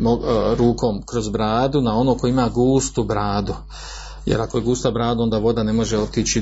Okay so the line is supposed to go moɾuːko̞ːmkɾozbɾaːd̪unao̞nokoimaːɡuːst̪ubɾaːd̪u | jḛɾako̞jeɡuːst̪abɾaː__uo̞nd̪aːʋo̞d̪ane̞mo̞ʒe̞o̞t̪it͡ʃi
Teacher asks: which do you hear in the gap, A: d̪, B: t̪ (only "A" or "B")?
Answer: A